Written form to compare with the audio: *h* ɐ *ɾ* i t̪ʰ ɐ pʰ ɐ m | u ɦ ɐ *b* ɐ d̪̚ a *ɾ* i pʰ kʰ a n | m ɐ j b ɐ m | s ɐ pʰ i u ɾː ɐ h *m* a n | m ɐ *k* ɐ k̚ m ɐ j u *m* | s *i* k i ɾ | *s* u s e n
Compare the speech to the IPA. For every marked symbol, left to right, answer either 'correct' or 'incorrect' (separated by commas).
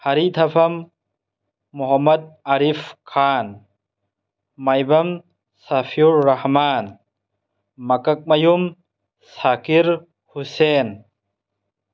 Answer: correct, correct, incorrect, correct, correct, correct, correct, incorrect, incorrect